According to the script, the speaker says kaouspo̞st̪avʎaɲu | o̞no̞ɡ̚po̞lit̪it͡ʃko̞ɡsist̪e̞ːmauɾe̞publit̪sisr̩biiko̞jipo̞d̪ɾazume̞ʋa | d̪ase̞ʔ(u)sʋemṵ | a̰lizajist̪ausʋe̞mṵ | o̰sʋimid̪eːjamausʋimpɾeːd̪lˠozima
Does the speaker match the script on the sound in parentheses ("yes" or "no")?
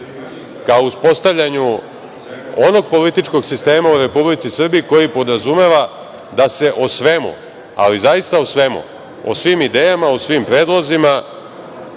no